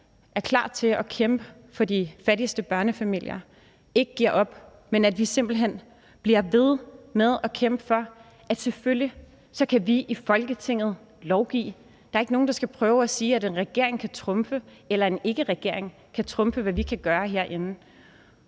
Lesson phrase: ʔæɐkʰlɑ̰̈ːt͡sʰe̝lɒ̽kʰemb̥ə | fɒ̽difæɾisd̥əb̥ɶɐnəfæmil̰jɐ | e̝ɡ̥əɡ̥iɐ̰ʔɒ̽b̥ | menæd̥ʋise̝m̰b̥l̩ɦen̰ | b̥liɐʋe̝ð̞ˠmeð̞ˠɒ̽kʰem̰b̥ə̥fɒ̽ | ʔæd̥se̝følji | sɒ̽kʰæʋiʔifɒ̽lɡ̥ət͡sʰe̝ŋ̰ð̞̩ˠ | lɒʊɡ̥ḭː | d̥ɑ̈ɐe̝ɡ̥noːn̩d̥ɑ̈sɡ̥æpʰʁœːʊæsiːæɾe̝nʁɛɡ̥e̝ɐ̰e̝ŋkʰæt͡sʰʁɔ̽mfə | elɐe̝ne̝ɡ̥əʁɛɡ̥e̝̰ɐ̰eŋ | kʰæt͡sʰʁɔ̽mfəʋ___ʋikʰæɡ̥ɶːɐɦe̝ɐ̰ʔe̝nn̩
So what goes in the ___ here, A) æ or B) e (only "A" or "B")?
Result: A